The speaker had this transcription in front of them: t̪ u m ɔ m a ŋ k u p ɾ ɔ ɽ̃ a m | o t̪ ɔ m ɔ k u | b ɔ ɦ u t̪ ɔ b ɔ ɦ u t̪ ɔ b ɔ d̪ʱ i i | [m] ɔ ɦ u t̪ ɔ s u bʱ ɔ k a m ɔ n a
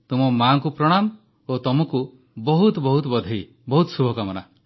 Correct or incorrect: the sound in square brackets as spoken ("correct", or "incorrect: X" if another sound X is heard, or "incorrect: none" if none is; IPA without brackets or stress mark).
incorrect: b